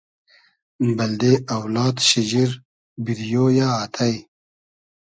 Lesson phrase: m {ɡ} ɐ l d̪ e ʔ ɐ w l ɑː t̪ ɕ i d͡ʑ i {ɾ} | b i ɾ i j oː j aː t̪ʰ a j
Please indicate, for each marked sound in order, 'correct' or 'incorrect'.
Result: incorrect, correct

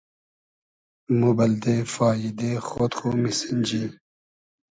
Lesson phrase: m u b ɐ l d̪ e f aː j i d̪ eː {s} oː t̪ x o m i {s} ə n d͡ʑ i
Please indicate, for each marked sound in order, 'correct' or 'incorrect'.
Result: incorrect, correct

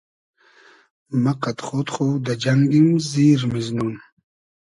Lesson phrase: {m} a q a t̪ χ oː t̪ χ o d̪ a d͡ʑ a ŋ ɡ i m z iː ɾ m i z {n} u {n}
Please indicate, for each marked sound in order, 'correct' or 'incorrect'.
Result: correct, correct, correct

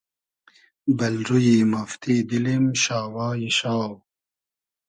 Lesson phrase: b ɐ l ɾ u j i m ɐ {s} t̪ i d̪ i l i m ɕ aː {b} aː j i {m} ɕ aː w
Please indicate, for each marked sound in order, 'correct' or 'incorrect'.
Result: incorrect, incorrect, incorrect

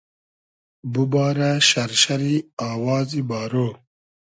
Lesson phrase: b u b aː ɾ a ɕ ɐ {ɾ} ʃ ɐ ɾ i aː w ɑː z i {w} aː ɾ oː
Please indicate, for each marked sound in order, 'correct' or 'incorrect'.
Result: correct, incorrect

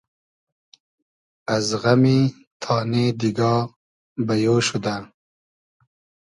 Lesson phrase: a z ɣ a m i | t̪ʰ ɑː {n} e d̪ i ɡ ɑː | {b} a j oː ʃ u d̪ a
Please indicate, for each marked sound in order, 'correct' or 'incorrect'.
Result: correct, correct

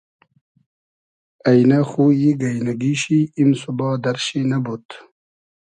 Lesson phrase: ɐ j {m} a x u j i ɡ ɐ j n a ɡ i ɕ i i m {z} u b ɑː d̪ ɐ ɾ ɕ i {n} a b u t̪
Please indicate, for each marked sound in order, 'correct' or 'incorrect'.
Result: incorrect, incorrect, correct

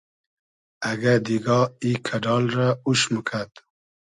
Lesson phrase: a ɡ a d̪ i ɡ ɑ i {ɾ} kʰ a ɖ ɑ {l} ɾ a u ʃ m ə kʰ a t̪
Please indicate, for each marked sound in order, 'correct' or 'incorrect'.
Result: incorrect, correct

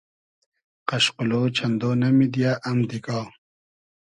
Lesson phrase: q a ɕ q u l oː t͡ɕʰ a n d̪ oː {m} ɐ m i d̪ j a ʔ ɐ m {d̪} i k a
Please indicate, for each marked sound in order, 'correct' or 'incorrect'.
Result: incorrect, correct

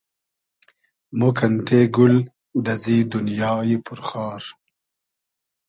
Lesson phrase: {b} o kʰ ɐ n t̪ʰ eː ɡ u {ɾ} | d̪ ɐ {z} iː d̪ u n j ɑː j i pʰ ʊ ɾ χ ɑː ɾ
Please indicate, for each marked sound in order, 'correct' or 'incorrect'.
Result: incorrect, incorrect, correct

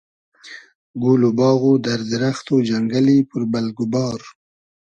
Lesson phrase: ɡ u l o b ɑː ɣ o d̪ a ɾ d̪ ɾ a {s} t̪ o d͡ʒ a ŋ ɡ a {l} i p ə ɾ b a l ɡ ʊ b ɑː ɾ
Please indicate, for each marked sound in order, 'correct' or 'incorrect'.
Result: incorrect, correct

